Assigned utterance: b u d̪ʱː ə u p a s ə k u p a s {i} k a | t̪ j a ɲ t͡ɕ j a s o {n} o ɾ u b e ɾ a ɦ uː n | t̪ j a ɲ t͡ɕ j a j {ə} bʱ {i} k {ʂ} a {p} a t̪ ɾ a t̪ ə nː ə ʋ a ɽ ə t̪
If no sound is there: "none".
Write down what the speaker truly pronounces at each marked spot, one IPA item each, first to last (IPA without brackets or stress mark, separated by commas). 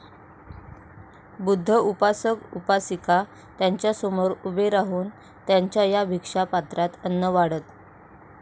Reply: i, m, a, i, ʂ, p